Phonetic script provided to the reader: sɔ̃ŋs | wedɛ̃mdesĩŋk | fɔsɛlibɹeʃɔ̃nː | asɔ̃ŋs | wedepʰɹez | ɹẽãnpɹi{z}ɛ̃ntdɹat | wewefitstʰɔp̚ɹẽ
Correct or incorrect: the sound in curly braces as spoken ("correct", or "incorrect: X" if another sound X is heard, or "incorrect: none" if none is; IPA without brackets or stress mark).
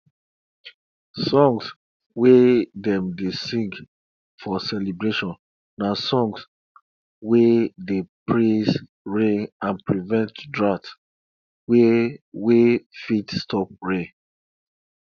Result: incorrect: v